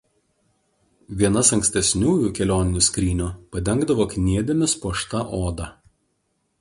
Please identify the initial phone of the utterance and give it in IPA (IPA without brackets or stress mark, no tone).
ʋʲ